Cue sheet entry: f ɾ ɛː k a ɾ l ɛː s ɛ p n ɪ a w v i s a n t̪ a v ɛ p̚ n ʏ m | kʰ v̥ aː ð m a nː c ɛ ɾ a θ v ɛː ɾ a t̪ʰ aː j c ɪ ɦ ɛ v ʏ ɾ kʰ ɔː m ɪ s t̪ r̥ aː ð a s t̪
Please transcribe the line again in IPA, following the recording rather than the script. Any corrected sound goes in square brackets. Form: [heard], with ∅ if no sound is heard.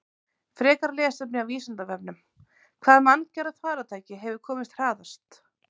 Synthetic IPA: f ɾ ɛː k a ɾ l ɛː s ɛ p n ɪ a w v [iː] s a n t̪ a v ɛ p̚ n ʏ m | kʰ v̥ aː ð m a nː c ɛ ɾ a θ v [aː] ɾ a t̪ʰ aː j c ɪ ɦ ɛ v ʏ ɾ kʰ ɔː m ɪ s t̪ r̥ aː ð a s t̪